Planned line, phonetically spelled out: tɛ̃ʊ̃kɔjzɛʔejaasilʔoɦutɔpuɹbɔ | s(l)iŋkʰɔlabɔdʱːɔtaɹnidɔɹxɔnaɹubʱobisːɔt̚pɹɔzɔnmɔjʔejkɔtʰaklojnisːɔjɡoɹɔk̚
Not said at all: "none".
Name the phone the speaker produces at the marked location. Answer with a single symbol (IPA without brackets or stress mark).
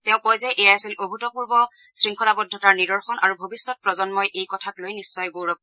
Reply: ɹ